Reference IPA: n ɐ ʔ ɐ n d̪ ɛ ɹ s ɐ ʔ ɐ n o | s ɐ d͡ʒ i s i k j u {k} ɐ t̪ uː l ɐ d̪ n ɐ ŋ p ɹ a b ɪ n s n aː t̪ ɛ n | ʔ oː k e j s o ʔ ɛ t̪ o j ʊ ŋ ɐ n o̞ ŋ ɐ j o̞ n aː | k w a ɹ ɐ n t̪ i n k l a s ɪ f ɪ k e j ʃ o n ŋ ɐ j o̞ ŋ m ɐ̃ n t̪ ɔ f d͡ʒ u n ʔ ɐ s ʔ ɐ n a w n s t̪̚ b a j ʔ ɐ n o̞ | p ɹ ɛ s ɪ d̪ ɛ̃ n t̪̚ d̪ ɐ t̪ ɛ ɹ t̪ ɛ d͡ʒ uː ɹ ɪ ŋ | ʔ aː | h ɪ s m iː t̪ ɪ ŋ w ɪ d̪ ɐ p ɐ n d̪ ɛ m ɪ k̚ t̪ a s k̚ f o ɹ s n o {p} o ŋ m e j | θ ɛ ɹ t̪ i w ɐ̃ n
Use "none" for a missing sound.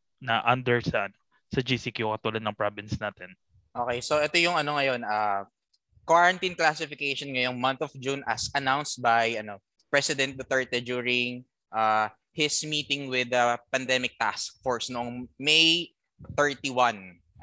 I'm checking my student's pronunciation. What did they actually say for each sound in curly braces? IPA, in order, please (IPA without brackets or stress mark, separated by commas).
k, ʔ